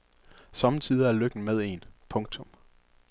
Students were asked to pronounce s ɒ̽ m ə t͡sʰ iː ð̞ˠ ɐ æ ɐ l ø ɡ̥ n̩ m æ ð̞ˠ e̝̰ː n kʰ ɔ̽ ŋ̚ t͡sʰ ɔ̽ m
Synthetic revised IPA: s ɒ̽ m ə t͡sʰ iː ð̞ˠ ɐ æ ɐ l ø ɡ̥ n̩ m e ð̞ˠ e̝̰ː n pʰ ɔ̽ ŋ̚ t͡sʰ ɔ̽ m